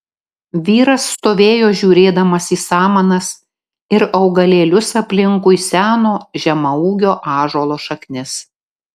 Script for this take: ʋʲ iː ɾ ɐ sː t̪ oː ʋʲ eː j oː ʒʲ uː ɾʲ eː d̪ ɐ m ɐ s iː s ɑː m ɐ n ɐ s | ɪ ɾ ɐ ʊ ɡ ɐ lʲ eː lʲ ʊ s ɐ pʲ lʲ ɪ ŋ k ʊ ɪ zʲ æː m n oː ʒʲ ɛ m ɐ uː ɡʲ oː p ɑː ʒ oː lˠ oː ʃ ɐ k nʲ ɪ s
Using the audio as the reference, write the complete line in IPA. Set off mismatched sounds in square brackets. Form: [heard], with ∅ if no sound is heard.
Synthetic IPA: ʋʲ iː ɾ ɐ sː t̪ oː ʋʲ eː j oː ʒʲ uː ɾʲ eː d̪ ɐ m ɐ s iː s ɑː m ɐ n ɐ s | ɪ ɾ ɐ ʊ ɡ ɐ lʲ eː lʲ ʊ s ɐ pʲ lʲ ɪ ŋ k ʊ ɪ [sʲ] æː [∅] n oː ʒʲ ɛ m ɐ uː ɡʲ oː [ʔ] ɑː ʒ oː lˠ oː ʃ ɐ k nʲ ɪ s